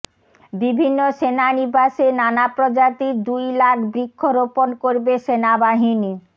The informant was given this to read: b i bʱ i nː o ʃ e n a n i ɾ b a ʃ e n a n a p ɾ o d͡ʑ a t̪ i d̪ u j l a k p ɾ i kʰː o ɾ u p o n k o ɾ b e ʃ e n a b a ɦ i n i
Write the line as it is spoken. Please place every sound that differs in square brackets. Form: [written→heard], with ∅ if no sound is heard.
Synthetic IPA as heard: b i bʱ i nː o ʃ e n a n i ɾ b a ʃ e n a n a p ɾ o d͡ʑ a t̪ i d̪ u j l a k [p→b] ɾ i kʰː o ɾ [u→o] p o n k o ɾ b e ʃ e n a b a ɦ i n i